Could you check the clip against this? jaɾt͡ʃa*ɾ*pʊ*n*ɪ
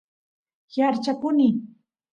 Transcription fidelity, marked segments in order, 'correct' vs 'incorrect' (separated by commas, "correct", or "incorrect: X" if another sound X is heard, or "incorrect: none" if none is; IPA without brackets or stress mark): incorrect: none, correct